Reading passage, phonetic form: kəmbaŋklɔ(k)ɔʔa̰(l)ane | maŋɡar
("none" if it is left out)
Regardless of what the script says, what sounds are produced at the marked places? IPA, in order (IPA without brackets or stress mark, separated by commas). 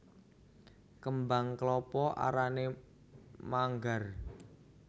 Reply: p, ɾ